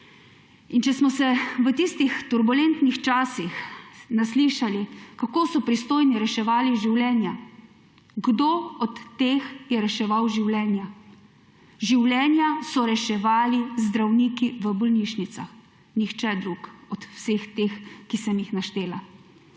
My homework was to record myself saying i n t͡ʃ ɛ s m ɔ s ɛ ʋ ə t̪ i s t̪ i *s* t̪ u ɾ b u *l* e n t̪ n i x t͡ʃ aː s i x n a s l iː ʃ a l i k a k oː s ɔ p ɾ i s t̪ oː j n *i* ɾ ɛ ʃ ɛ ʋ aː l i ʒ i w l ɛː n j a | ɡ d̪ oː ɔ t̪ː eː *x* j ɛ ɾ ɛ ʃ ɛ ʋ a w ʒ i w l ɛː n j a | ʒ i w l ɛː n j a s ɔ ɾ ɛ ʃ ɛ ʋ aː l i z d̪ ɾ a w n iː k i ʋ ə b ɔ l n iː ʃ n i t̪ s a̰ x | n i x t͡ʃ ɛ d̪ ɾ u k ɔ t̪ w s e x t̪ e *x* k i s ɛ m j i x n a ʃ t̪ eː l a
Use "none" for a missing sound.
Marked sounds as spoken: x, l, i, x, x

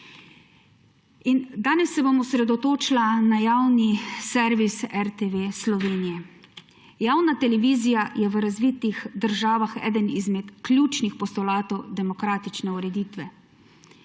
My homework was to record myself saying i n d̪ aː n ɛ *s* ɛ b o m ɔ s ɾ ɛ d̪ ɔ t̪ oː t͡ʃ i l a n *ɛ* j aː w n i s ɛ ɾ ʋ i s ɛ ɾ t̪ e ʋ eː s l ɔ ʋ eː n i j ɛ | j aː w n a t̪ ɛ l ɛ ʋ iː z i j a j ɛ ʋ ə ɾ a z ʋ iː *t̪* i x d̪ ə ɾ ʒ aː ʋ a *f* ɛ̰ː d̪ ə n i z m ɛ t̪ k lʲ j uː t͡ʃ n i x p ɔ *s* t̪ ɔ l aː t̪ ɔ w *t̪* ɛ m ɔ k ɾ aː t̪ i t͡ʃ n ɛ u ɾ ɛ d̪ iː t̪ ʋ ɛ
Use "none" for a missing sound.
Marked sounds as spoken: sː, a, t̪, x, s, d̪

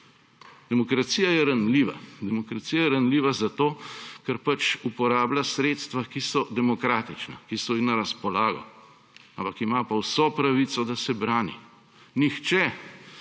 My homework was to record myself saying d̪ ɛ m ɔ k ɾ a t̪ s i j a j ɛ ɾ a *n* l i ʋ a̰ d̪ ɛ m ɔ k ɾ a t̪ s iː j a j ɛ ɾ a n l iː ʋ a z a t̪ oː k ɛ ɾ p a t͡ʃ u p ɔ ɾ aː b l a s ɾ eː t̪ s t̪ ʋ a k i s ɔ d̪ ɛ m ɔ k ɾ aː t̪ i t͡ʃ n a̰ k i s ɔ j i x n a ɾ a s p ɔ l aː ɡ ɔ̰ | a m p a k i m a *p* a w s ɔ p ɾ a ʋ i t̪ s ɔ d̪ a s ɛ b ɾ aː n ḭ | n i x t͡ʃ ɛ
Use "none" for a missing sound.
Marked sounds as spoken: n, p

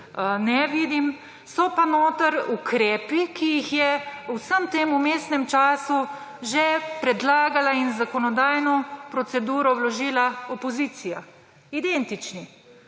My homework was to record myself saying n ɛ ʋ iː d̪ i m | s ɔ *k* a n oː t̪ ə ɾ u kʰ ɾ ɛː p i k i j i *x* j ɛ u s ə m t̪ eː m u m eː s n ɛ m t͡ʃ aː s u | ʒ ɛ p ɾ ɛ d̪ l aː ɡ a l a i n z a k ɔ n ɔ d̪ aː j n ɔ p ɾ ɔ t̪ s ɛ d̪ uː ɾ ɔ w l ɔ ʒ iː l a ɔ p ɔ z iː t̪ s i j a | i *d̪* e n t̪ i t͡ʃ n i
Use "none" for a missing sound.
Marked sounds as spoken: p, x, d̪

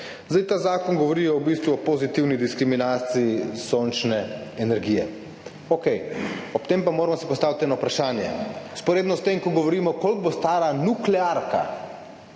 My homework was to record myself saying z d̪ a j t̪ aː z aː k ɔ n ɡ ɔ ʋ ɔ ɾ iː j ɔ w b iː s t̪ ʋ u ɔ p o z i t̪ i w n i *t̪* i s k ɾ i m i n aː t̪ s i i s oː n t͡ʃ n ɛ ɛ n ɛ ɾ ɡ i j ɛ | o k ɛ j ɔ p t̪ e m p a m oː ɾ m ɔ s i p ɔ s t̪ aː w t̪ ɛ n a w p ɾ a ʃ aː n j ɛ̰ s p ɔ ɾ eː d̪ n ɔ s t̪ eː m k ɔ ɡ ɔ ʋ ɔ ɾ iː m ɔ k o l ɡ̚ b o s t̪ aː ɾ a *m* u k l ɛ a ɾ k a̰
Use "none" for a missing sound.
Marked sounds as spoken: d̪, n

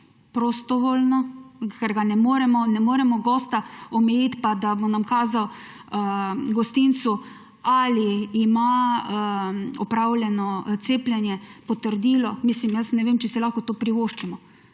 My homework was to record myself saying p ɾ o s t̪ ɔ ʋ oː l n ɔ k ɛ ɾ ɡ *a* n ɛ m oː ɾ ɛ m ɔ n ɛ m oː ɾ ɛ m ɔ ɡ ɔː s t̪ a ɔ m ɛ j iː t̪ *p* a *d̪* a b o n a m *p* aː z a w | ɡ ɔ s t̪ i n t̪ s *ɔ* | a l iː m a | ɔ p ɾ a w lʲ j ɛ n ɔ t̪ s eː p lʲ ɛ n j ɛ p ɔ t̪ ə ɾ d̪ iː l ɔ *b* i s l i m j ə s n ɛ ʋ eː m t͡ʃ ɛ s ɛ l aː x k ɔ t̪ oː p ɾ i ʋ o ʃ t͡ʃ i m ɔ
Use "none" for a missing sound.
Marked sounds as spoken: a, p, d̪, k, u, m

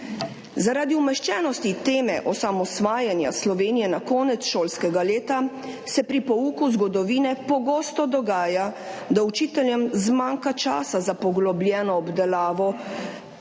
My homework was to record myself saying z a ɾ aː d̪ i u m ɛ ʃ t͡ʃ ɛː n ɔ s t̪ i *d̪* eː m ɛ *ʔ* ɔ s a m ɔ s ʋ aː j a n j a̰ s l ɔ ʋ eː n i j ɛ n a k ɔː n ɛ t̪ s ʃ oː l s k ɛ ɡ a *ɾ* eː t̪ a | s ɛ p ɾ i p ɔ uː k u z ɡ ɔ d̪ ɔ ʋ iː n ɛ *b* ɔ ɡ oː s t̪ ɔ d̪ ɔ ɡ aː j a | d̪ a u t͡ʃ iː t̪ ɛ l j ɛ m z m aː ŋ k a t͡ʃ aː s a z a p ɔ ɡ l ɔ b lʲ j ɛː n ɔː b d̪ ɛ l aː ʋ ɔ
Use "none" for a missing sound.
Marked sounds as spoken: t̪, ʔ, l, p

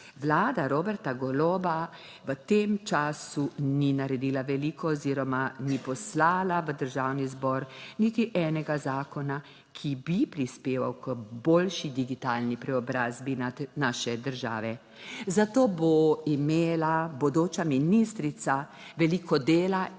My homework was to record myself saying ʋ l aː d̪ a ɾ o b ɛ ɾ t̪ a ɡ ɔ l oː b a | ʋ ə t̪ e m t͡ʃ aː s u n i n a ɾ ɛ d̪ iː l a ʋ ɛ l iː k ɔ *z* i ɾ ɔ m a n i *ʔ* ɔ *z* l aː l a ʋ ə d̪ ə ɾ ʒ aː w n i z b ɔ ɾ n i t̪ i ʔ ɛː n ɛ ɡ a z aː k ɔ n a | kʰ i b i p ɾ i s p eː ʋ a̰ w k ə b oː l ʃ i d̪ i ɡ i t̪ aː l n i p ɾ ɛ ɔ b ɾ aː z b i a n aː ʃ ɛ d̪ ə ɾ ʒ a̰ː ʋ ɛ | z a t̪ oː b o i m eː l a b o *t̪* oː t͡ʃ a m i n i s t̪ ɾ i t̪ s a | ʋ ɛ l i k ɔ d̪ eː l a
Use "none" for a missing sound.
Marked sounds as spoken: z, p, s, d̪

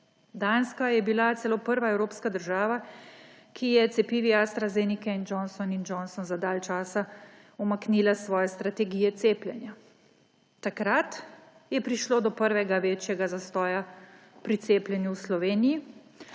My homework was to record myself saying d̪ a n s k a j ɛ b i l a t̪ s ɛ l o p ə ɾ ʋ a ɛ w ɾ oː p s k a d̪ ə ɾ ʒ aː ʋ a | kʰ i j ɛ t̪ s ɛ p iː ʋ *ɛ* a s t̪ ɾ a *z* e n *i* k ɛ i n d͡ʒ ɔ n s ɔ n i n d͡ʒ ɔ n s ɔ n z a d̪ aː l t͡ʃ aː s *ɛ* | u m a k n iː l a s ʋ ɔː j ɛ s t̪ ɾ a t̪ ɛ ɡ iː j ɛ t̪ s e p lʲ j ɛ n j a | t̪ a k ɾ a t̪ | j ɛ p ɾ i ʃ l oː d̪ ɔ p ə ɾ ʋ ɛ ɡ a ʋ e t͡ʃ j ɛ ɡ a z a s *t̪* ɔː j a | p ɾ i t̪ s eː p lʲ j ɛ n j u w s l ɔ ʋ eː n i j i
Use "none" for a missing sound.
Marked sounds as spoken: i, z, i, a, t̪

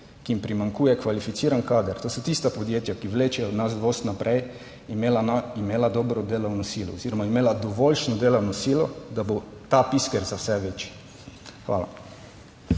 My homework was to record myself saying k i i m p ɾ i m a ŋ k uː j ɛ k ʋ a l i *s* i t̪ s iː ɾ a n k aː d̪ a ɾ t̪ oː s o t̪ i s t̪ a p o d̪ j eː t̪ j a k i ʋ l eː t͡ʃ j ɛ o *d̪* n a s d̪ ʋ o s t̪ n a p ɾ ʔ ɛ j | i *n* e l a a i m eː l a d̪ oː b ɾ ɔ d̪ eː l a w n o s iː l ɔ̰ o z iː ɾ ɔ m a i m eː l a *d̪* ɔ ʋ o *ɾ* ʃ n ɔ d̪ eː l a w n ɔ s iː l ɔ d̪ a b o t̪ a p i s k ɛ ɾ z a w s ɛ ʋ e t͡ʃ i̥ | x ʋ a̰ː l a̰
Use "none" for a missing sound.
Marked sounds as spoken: f, d̪, m, d̪, l

